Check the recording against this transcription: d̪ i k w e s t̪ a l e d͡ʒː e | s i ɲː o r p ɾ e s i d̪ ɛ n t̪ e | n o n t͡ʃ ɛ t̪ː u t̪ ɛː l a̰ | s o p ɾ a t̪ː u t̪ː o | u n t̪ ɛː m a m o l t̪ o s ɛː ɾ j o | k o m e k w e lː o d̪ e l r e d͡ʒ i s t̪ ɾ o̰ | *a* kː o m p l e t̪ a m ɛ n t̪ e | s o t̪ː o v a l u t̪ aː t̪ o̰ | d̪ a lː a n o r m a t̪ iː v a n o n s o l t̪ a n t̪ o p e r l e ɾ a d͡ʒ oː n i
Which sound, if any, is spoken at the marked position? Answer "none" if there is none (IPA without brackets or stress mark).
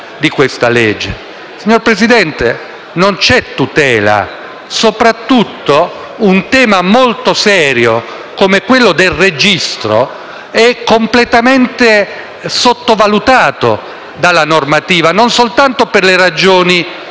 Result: ɛ